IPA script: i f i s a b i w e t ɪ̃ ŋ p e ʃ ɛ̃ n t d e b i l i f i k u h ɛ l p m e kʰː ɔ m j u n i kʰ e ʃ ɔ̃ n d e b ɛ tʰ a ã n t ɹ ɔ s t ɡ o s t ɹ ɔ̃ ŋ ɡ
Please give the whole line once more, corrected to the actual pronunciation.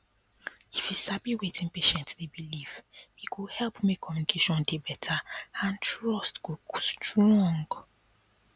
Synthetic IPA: i f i s a b i w e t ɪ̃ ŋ p e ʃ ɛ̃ n t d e b i l i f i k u h ɛ l p m e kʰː ɔ m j u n i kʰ e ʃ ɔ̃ n d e b ɛ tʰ a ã n t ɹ ɔ s t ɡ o s t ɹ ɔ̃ ŋ ɡ